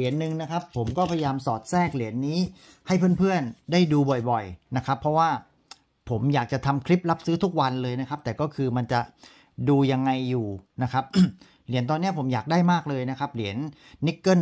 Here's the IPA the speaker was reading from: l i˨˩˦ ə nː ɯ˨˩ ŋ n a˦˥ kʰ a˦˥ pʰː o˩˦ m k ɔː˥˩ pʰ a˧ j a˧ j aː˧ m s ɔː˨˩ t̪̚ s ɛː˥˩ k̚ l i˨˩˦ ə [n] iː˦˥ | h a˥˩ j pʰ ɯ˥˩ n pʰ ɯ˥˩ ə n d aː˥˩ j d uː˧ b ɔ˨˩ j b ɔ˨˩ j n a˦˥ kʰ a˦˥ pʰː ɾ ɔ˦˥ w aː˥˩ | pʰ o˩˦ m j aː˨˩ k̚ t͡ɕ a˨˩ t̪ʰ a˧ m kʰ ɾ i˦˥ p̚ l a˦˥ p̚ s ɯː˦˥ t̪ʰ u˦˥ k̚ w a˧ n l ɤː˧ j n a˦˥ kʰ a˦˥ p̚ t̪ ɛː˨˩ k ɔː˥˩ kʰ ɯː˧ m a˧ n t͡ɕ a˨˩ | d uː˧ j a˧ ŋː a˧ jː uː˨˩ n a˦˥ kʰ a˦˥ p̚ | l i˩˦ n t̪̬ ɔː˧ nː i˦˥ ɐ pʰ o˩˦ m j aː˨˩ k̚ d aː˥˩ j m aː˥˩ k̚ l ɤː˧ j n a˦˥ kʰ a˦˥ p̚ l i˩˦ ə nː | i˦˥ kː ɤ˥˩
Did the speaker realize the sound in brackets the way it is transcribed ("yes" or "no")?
no